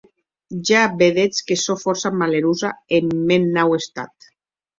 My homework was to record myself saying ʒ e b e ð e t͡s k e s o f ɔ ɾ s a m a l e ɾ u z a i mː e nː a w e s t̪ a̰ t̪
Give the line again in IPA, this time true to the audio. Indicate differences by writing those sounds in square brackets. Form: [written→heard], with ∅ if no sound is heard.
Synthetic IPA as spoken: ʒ [e→a] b e ð e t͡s k e s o f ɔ ɾ s a m a l e ɾ u z a [i→e] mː e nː a w e s t̪ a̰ t̪